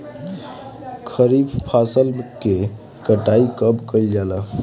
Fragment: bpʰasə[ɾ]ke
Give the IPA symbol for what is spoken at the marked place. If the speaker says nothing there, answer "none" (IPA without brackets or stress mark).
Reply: l